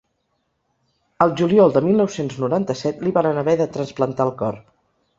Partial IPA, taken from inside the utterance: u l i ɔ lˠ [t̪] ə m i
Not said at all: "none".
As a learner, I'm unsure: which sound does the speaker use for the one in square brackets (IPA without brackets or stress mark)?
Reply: d̪